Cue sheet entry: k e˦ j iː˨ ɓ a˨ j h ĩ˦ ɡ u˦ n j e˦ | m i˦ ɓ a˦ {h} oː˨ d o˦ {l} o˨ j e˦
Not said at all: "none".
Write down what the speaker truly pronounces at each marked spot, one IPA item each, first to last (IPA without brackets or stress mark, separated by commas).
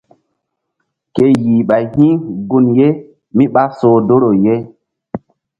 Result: s, ɾ